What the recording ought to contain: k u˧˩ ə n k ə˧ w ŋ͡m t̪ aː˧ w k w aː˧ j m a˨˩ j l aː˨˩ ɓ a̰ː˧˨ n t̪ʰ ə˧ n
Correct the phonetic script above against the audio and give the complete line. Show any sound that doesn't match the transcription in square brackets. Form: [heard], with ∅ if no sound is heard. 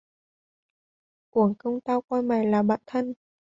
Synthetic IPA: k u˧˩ ə [ŋ] k ə˧ w ŋ͡m t̪ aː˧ w k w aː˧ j m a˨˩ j l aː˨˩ ɓ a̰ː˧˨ n t̪ʰ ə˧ n

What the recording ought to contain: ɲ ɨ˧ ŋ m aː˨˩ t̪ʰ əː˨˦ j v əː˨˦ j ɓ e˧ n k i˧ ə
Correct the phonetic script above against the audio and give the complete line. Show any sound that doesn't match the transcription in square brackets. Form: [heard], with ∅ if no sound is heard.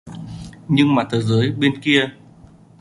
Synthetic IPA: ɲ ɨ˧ ŋ m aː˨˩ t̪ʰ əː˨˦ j [z] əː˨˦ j ɓ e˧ n k i˧ ə

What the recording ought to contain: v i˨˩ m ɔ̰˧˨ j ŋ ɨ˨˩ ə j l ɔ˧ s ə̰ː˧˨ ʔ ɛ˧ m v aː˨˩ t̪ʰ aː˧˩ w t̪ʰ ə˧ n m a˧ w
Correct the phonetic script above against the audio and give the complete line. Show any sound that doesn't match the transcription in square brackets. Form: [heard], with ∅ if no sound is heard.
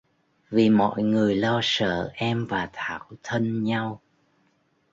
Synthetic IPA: v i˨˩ m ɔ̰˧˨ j ŋ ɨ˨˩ ə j l ɔ˧ s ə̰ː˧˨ ʔ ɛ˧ m v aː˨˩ t̪ʰ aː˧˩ w t̪ʰ ə˧ n [ɲ] a˧ w

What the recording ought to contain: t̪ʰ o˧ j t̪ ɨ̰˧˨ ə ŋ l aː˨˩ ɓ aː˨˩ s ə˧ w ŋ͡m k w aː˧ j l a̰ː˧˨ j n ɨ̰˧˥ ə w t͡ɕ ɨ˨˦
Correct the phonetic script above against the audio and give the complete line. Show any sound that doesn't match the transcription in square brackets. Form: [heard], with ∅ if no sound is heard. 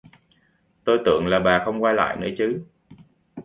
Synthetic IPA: [t̪] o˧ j t̪ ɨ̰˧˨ ə ŋ l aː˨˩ ɓ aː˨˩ [x] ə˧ w ŋ͡m k w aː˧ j l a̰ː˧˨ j n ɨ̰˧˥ ə [∅] t͡ɕ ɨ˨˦

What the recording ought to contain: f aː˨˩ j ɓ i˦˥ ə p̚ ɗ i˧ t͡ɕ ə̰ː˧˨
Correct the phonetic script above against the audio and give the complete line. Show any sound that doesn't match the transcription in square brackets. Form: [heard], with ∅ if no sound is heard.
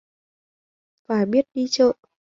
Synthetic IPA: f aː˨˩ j ɓ i˦˥ ə [t̚] ɗ i˧ t͡ɕ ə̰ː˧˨

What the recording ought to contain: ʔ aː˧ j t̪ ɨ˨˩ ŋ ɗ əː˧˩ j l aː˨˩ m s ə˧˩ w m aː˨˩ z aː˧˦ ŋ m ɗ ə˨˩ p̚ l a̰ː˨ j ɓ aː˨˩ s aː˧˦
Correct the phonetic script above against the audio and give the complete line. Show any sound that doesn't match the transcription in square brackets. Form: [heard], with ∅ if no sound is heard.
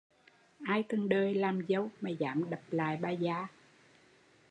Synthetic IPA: ʔ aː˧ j t̪ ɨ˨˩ ŋ ɗ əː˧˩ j l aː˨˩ m [z] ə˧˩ w m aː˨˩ z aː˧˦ [∅] m ɗ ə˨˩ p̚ l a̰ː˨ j ɓ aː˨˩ [z] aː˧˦

